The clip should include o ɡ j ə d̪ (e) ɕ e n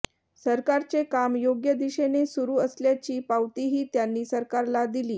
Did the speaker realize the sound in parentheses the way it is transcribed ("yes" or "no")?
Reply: no